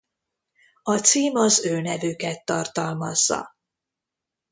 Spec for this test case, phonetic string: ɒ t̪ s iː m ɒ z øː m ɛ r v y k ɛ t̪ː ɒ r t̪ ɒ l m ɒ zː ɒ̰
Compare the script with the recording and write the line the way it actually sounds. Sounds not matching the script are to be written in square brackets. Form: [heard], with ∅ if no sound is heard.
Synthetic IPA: ɒ t̪ s iː m ɒ z øː [n] ɛ [∅] v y k ɛ t̪ː ɒ r t̪ ɒ l m ɒ zː ɒ̰